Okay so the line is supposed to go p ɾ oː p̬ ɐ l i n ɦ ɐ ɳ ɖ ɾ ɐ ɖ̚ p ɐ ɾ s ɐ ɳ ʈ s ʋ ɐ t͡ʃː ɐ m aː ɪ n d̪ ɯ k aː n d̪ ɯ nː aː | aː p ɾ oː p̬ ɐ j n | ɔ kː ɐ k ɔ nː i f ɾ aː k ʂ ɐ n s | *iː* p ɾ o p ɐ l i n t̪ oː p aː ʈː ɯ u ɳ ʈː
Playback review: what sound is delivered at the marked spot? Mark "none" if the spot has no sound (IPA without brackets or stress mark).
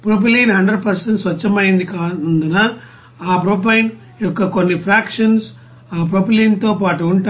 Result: aː